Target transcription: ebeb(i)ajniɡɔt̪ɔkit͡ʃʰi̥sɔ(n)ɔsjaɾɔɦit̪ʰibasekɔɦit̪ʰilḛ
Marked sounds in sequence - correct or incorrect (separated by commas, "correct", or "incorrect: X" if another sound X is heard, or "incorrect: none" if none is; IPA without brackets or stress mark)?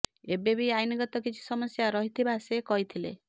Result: correct, incorrect: m